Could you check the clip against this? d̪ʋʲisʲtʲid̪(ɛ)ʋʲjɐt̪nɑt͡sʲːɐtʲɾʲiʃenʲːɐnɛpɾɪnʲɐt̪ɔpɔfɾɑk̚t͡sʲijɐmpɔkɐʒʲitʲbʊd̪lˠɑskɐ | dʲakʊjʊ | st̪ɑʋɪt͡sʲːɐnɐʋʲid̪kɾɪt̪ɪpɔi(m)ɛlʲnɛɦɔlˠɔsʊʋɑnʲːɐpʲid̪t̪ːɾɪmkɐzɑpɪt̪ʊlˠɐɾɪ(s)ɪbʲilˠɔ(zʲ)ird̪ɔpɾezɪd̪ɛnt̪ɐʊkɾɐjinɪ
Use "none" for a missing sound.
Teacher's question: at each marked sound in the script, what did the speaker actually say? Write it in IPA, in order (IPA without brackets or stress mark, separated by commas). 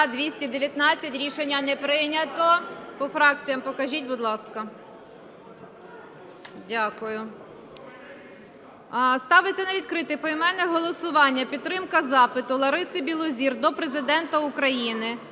e, m, s, zʲ